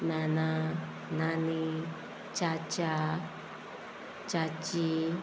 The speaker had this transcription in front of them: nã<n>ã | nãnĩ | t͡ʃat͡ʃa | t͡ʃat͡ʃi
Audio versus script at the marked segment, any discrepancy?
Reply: no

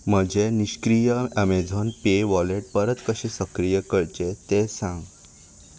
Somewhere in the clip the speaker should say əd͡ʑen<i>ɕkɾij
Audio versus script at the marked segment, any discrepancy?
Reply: no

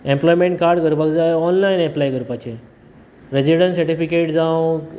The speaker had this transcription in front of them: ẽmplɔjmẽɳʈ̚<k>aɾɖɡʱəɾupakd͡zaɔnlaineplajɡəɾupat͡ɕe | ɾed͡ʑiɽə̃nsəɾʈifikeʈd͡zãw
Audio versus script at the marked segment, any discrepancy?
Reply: no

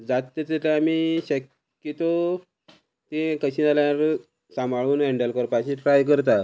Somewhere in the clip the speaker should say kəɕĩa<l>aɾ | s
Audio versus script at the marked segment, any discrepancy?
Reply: no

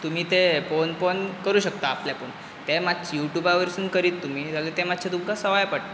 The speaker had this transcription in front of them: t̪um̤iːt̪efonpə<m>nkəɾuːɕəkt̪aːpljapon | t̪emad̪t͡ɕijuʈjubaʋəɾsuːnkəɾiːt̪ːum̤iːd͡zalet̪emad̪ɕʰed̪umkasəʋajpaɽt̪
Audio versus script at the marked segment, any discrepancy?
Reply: yes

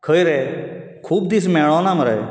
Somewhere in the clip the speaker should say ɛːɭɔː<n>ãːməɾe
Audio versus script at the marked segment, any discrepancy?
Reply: no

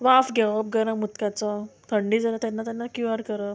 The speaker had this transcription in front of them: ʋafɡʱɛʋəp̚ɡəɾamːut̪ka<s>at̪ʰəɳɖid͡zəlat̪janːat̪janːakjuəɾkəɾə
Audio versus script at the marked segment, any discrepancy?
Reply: yes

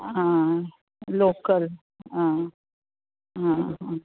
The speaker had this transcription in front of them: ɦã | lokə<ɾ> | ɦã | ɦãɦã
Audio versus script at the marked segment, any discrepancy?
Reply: yes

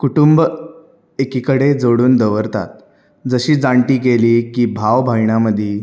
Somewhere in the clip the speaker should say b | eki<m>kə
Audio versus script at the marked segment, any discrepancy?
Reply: yes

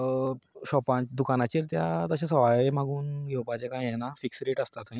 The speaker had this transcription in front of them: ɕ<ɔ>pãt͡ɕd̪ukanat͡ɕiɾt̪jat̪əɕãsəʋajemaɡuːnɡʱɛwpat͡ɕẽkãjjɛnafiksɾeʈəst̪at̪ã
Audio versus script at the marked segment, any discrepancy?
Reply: no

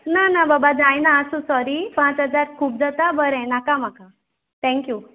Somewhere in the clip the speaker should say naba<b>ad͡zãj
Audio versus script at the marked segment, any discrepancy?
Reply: no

